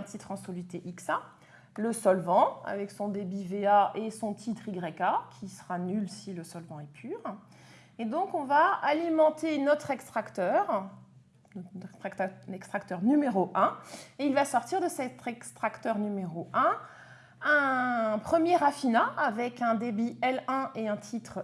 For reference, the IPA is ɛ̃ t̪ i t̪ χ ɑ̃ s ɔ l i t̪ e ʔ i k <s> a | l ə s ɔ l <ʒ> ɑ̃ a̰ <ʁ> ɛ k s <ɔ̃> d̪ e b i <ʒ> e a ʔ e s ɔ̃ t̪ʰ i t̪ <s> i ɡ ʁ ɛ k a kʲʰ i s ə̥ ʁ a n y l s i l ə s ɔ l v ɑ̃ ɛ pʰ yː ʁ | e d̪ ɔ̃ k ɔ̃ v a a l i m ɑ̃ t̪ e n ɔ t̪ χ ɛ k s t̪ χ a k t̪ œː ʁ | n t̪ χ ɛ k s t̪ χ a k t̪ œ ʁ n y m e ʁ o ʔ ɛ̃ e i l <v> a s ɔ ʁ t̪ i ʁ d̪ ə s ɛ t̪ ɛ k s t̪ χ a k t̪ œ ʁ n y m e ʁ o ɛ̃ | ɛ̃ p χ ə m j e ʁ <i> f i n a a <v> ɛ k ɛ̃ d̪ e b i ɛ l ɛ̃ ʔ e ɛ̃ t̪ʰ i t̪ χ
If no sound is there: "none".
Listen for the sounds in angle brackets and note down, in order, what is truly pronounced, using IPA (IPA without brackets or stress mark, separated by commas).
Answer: s, v, v, ɔ̃, v, χ, v, a, v